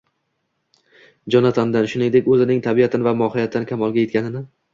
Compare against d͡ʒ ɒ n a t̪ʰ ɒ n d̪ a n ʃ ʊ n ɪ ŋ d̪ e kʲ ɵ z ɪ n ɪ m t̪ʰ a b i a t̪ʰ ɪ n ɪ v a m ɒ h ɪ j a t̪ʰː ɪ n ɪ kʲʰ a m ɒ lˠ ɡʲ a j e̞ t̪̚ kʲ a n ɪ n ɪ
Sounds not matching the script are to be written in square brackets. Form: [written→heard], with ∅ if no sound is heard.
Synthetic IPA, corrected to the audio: d͡ʒ ɒ n a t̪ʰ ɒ n d̪ a n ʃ ʊ n ɪ ŋ d̪ e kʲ ɵ z ɪ n ɪ [m→ŋ] t̪ʰ a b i a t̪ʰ ɪ n ɪ v a m ɒ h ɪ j a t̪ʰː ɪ n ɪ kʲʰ a m ɒ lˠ ɡʲ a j e̞ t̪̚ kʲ a n ɪ n ɪ